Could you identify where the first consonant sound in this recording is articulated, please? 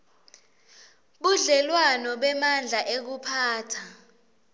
labial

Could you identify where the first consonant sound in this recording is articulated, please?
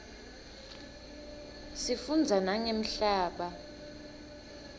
alveolar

